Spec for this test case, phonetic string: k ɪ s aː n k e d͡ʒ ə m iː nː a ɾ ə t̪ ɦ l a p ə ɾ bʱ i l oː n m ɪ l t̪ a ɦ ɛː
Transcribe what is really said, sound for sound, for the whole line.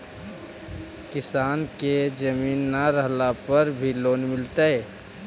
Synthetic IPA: k ɪ s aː n k e d͡ʒ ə m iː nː a ɾ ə ɦ l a p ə ɾ bʱ i l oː n m ɪ l t̪ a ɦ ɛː